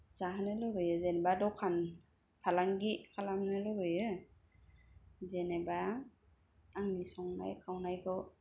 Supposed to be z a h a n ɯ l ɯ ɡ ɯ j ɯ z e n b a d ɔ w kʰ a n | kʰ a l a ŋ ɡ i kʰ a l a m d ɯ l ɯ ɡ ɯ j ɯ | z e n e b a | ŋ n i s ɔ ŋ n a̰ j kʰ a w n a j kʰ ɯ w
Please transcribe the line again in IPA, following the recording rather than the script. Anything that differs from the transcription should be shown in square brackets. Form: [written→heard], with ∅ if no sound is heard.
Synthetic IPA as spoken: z a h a n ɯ l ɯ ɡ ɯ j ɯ z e n b a d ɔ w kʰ a n | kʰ a l a ŋ ɡ i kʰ a l a m [d→n] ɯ l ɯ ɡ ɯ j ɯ | z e n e b a | ŋ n i s ɔ ŋ n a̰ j kʰ a w n a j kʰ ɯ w